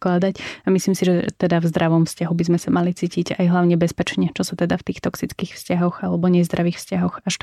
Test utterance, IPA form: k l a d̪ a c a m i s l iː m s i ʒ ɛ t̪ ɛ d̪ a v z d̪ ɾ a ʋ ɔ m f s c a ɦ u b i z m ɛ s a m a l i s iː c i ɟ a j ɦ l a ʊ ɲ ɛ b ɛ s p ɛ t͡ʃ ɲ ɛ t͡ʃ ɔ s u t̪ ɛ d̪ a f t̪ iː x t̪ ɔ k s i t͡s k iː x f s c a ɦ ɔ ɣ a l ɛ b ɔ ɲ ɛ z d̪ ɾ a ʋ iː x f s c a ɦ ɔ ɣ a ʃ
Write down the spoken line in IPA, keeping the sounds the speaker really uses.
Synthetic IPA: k l a d̪ a c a m i s l iː m s i ʒ ɛ t̪ ɛ d̪ a v z d̪ ɾ a ʋ ɔ m f s c a ɦ u b i z m ɛ s a m a l i t͡s iː c i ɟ a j ɦ l a ʊ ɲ ɛ b ɛ s p ɛ t͡ʃ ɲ ɛ t͡ʃ ɔ s u t̪ ɛ d̪ a f t̪ iː x t̪ ɔ k s i t͡s k iː x f s c a ɦ ɔ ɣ a l ɛ b ɔ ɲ ɛ z d̪ ɾ a ʋ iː x f s c a ɦ ɔ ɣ a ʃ